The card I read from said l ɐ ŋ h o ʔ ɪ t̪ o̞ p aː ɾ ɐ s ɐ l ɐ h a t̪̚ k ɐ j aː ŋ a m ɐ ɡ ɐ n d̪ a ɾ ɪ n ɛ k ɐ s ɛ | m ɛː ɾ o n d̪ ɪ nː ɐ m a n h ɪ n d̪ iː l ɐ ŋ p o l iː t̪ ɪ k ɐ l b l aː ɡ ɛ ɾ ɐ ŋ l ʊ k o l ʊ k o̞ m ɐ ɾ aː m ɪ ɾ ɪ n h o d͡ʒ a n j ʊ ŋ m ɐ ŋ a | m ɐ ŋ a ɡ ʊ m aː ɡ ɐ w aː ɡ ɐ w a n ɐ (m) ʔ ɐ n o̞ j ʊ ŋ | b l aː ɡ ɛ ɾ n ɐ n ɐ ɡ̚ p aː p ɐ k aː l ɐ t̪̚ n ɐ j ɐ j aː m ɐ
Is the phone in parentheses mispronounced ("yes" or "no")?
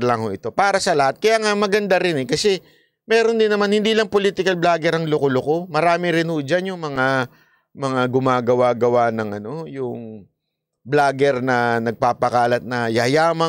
yes